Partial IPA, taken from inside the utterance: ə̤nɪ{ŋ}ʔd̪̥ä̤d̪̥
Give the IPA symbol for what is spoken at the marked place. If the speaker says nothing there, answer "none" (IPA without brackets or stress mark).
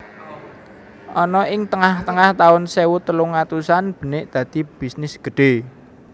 none